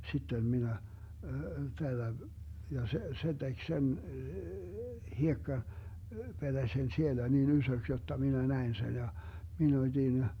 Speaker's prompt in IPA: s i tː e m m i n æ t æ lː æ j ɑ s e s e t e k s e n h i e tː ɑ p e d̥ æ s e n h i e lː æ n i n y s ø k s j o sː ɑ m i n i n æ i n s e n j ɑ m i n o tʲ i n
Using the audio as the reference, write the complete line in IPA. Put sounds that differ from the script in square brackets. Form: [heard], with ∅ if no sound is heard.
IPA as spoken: s i tː e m m i n æ t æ lː æ j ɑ s e s e t e k s e n h i e [kː] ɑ p e d̥ æ s e n [s] i e [l] æ n i n y s ø k s j o [tː] ɑ m i n [æ] n æ i n s e n j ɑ m i n o tʲ i n